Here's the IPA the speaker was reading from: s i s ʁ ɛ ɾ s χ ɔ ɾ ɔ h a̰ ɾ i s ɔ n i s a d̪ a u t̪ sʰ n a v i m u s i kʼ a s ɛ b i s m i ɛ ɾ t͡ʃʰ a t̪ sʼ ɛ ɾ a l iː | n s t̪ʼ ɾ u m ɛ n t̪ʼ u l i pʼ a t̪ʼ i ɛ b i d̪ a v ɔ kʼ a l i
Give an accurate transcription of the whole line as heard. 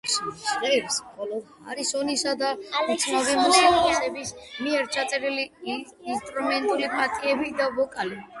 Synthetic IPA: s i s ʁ ɛ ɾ s χ ɔ l ɔ h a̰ ɾ i s ɔ n i s a d̪ a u t̪ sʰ n a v i m u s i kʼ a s ɛ b i s m i ɛ ɾ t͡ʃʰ a t̪ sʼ ɛ ɾ i l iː | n s t̪ʼ ɾ u m ɛ n t̪ʼ u l i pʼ a t̪ʼ i ɛ b i d̪ a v ɔ kʼ a l i